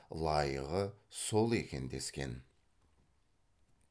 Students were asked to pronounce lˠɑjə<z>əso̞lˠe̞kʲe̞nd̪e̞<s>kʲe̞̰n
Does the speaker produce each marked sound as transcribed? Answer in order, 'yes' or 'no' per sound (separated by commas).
no, yes